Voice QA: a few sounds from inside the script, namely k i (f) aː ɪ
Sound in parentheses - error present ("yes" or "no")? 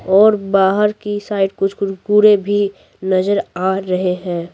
yes